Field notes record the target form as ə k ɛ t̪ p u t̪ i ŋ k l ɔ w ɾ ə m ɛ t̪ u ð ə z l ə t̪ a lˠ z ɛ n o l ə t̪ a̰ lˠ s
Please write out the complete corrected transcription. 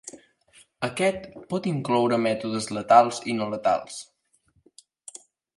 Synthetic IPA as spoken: ə k ɛ t̪ p ɔ t̪ i ŋ k l ɔ w ɾ ə m ɛ t̪ u ð ə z l ə t̪ a lˠ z i n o l ə t̪ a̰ lˠ s